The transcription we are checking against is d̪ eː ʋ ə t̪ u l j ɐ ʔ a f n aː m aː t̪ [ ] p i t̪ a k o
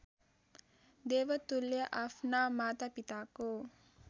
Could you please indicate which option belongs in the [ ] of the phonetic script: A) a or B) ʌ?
A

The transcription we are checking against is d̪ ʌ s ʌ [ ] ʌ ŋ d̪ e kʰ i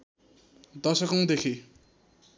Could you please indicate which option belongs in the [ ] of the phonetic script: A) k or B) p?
A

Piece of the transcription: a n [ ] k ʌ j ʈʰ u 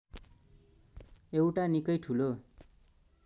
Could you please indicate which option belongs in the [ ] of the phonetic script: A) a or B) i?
B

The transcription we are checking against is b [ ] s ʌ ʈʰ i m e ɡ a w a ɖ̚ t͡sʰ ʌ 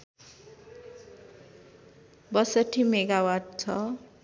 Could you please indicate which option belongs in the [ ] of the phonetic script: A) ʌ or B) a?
A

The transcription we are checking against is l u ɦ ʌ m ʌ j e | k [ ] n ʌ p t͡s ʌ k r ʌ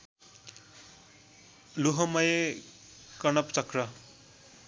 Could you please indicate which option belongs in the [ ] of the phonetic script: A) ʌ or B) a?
A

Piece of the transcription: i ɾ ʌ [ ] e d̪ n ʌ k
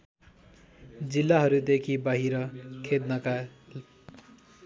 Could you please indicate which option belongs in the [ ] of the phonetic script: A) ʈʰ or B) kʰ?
B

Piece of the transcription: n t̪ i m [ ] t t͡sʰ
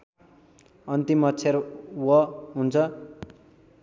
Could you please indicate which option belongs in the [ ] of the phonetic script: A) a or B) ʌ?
B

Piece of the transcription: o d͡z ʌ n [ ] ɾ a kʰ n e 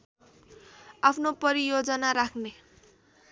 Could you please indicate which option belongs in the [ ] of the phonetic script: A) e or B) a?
B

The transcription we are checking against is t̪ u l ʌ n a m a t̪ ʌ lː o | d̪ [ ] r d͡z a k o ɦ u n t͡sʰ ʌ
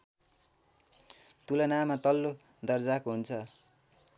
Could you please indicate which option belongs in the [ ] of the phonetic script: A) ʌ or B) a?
A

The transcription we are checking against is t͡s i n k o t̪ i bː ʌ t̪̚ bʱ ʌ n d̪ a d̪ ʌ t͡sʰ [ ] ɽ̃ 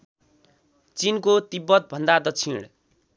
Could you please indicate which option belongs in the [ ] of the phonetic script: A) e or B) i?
B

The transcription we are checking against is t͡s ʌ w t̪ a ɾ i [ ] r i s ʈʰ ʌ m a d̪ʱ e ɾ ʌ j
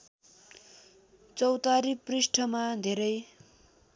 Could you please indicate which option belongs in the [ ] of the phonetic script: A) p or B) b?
A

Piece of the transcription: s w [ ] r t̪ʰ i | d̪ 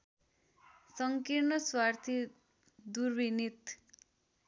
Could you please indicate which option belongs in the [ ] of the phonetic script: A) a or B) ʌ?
A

